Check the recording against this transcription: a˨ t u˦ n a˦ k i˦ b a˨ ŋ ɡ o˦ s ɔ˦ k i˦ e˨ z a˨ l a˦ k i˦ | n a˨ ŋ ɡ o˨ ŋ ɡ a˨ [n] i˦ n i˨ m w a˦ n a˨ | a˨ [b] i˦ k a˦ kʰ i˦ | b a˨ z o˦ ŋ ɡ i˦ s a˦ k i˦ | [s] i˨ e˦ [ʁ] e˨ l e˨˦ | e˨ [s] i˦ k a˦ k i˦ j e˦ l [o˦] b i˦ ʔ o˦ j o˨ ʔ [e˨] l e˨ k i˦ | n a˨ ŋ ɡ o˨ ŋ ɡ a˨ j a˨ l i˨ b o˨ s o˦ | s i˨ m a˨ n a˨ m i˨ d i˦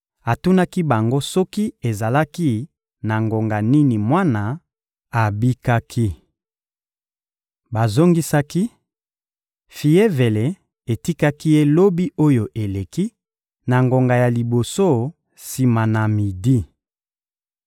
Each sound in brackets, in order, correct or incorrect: correct, correct, incorrect, incorrect, incorrect, correct, correct

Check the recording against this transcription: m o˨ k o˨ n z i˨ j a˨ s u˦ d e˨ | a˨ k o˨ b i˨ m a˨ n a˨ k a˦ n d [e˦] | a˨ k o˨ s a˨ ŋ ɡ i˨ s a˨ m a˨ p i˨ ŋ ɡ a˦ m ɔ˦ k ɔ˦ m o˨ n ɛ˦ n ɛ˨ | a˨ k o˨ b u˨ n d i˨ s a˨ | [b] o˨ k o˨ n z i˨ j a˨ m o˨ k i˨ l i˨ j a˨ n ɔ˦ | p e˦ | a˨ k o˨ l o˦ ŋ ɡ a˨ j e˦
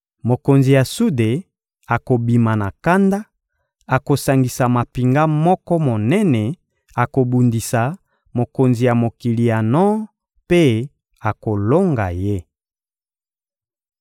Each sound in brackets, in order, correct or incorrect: incorrect, incorrect

